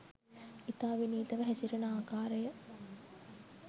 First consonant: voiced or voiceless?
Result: voiceless